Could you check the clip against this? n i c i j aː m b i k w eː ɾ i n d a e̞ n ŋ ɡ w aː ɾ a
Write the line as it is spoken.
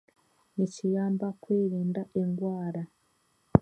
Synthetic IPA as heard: n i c i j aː m b a k w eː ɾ iː n d a e̞ ŋ ɡ w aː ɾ a